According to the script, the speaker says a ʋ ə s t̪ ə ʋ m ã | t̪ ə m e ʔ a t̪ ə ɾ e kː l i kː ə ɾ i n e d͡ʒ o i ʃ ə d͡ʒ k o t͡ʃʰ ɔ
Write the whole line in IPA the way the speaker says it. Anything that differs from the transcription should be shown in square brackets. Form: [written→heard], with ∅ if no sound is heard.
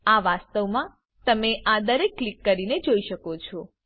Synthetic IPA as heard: a ʋ [ə→a] s t̪ ə ʋ m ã | t̪ ə m e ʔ a [t̪→d̪] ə ɾ e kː l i kː ə ɾ i n e d͡ʒ o i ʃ ə [d͡ʒ→∅] k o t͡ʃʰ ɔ